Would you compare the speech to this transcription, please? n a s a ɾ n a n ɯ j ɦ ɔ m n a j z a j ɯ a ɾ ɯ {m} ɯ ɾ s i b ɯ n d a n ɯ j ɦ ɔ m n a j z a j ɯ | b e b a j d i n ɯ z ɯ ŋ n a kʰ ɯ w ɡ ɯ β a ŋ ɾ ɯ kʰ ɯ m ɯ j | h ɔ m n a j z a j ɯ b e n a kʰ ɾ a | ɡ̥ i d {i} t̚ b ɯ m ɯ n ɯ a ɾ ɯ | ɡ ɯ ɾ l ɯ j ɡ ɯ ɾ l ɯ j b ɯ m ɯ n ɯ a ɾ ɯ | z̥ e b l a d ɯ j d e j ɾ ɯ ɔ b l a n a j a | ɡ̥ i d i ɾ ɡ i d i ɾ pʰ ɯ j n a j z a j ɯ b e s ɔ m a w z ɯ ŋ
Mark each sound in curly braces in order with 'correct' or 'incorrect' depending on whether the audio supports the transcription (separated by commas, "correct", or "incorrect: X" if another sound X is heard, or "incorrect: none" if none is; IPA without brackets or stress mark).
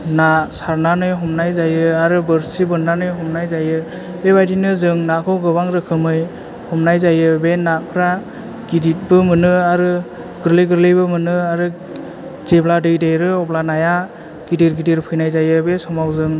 incorrect: b, correct